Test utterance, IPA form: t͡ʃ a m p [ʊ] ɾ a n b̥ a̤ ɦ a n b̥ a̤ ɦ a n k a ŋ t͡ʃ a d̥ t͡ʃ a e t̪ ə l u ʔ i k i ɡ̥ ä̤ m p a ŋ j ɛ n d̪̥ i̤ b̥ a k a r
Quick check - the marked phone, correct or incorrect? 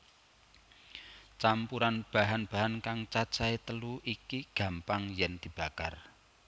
incorrect